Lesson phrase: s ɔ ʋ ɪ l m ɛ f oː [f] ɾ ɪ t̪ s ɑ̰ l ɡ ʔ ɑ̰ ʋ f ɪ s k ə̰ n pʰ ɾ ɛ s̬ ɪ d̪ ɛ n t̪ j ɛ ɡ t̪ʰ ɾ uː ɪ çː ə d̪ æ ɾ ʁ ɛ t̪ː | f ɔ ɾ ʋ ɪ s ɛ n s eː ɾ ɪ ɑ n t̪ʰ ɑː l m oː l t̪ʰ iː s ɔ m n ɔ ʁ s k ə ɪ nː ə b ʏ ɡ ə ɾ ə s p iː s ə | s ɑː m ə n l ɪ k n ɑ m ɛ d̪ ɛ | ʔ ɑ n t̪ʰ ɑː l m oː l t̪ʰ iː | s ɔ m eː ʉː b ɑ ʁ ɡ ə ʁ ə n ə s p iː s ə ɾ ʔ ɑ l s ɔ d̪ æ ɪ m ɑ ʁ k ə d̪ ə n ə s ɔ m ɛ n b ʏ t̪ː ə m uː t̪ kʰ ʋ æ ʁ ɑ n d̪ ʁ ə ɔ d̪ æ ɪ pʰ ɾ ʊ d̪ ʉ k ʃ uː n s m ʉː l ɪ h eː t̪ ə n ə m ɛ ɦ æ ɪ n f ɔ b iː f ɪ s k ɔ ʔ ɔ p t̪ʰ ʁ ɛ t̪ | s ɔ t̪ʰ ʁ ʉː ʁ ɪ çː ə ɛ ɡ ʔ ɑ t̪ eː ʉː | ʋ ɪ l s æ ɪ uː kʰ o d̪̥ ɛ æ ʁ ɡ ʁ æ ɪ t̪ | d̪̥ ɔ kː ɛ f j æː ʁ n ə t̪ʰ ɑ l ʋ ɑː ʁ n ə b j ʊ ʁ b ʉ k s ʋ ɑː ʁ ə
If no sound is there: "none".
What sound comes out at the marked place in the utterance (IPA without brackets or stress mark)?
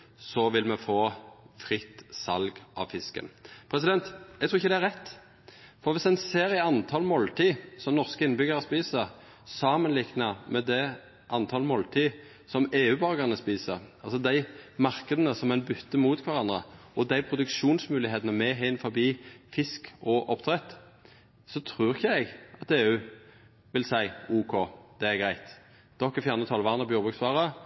f